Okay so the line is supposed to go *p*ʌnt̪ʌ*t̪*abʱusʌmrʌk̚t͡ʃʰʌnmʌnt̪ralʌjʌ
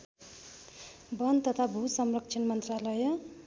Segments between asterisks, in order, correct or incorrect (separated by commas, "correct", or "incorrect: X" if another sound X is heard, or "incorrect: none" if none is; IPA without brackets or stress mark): incorrect: b, incorrect: t̪ʰ